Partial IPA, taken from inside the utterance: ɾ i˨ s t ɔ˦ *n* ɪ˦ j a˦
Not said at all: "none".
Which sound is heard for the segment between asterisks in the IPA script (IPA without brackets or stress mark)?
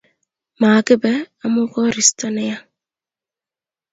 n